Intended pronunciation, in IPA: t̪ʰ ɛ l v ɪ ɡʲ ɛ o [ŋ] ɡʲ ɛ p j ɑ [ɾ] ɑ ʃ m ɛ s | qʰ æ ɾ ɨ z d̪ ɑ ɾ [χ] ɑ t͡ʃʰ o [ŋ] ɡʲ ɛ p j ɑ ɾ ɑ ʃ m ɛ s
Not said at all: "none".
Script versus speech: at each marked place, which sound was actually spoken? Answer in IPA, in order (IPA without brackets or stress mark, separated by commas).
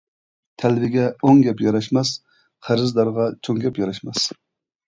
ŋ, ɾ, ʁ, ŋ